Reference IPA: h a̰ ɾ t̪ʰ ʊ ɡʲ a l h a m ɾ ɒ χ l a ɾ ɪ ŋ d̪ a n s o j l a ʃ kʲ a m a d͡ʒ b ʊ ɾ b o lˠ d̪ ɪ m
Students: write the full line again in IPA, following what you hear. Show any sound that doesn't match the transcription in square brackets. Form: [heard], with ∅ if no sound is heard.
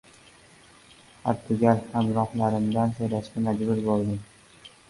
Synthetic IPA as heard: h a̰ ɾ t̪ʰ ʊ ɡʲ a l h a m ɾ ɒ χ l a ɾ ɪ [m] d̪ a n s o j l a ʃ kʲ a m a d͡ʒ b ʊ ɾ b o lˠ d̪ ɪ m